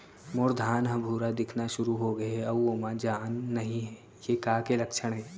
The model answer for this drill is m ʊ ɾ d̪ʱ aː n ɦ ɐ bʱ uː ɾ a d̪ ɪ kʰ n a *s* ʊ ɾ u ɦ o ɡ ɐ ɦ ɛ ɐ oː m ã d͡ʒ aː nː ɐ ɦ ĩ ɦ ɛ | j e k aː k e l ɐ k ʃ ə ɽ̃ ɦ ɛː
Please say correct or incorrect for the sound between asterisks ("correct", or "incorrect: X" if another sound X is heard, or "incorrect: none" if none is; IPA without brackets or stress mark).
incorrect: ʃ